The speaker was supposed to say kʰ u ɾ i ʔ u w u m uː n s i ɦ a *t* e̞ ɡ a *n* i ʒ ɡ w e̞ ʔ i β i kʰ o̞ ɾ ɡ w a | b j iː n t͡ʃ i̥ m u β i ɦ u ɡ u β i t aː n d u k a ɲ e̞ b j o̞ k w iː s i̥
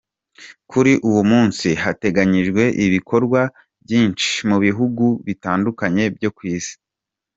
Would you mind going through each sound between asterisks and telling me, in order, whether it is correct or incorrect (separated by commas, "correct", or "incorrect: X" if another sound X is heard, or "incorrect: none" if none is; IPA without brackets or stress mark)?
correct, incorrect: ɲ